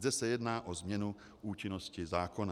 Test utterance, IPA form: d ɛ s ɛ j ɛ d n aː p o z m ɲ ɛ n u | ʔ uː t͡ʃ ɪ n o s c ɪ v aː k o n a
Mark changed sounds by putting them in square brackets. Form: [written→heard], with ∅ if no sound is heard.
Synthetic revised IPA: d ɛ s ɛ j ɛ d n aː [p→ʔ] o z m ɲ ɛ n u | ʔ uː t͡ʃ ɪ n o s c ɪ [v→z] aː k o n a